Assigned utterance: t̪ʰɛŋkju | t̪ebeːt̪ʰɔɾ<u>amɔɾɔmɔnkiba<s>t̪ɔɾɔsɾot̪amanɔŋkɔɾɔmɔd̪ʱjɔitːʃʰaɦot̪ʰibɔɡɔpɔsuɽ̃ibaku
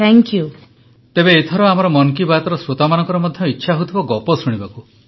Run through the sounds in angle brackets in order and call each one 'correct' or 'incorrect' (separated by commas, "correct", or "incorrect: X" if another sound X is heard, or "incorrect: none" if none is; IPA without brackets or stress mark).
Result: incorrect: ɔ, incorrect: none